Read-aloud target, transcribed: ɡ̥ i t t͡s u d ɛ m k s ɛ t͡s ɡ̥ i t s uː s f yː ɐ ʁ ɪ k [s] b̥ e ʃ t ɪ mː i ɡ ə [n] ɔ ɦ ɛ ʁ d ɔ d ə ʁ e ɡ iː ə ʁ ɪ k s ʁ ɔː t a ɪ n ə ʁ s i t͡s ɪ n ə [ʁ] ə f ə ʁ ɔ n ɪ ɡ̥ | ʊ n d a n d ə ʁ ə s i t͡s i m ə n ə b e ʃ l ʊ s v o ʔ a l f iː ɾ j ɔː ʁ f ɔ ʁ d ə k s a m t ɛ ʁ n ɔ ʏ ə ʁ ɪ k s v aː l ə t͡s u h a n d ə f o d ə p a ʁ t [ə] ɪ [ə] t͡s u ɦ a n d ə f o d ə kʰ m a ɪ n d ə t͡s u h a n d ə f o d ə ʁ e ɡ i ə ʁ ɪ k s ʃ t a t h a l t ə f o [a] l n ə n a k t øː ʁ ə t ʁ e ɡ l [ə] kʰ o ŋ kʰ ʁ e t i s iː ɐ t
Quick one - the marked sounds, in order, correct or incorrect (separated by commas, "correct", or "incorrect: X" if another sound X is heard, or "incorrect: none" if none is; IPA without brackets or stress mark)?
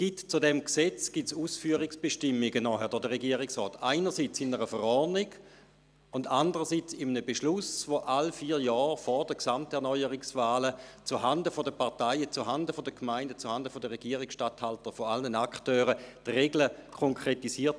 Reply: correct, correct, correct, incorrect: a, correct, correct, correct